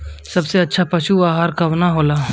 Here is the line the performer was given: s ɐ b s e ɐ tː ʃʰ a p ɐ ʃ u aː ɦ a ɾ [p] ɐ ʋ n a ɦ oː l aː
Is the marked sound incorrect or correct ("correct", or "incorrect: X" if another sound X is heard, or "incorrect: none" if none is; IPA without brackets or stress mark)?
incorrect: k